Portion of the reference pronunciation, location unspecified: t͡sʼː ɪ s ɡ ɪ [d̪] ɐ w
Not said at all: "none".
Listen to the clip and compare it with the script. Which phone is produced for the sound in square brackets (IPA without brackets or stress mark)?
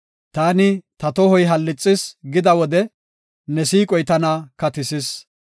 d̪